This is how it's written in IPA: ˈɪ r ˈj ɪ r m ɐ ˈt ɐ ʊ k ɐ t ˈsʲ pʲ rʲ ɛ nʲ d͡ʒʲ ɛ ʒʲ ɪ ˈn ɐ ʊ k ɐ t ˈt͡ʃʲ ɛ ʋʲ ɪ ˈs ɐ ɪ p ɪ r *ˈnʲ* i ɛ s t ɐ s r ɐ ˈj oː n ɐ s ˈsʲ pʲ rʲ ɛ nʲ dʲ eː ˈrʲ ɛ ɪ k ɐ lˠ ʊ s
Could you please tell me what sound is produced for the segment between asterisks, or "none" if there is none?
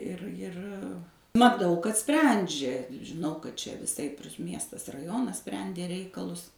mʲ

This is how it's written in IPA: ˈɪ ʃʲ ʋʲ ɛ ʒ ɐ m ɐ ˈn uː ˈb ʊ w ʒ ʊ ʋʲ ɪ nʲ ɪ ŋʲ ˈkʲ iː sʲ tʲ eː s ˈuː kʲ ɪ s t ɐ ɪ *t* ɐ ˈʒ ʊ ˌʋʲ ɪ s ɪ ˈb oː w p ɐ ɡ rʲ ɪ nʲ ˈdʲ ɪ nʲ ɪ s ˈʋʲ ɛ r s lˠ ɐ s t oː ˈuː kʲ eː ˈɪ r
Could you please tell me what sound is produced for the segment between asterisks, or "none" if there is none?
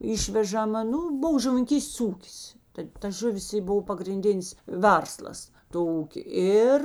t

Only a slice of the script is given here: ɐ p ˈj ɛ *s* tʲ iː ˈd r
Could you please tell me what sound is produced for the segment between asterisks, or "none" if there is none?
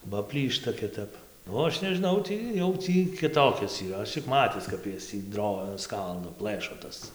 s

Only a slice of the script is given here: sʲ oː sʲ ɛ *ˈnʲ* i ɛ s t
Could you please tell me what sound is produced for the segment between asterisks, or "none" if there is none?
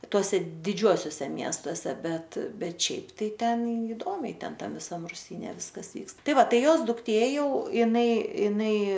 mʲ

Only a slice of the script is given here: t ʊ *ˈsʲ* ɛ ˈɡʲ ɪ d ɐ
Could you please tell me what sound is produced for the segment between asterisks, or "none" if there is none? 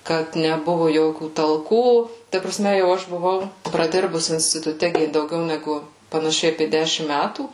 tʲ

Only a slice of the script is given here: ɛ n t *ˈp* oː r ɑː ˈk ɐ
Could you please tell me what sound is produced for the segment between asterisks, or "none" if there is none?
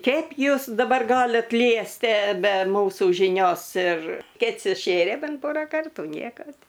p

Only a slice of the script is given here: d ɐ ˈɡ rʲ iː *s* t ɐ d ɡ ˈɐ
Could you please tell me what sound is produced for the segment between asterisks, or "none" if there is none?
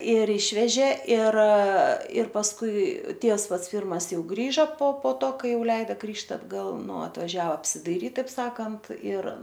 ʃ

